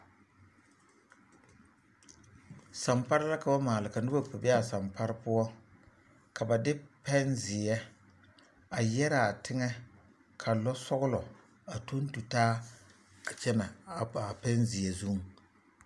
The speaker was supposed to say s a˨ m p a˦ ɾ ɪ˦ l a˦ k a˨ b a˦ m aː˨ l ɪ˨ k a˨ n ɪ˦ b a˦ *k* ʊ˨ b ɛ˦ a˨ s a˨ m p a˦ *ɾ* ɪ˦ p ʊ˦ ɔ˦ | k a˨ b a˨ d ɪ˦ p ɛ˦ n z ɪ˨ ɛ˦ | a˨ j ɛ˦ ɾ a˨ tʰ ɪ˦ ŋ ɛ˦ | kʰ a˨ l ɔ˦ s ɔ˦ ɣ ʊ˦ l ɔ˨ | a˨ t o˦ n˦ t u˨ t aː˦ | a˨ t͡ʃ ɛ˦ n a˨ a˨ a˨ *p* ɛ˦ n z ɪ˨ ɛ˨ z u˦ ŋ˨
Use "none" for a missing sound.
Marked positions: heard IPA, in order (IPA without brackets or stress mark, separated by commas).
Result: p, ɾ, p